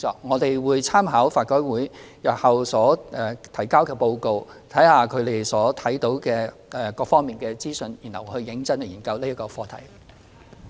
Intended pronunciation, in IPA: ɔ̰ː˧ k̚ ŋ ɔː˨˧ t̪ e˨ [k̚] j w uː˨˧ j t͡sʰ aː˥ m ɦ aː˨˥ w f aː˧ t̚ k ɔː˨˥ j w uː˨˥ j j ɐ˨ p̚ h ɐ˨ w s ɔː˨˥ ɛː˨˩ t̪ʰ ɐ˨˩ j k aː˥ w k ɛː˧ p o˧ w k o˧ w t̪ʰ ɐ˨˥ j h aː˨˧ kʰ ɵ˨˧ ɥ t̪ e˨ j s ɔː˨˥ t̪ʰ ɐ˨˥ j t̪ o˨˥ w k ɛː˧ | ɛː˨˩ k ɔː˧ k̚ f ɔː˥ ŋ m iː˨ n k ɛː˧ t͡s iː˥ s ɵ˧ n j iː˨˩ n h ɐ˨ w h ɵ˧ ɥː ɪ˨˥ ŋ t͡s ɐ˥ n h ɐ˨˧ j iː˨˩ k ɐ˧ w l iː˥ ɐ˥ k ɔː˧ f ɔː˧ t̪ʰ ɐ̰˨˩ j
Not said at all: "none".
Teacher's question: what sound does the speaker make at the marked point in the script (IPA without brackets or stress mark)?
none